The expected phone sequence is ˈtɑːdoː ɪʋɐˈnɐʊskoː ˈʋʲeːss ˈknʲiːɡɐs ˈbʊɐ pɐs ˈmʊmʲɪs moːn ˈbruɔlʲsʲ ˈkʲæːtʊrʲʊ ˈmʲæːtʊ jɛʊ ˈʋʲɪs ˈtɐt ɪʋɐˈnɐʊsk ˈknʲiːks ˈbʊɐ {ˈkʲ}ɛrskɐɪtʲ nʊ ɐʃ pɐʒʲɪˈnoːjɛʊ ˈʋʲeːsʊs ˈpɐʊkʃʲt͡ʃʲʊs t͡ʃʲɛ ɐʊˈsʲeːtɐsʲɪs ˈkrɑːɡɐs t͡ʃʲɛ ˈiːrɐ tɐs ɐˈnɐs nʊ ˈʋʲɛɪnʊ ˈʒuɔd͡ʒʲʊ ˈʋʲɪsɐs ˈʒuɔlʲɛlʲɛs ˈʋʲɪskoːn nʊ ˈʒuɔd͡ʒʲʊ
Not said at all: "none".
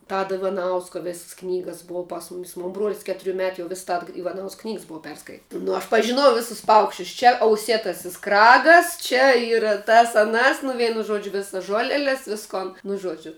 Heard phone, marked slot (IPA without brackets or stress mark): pʲ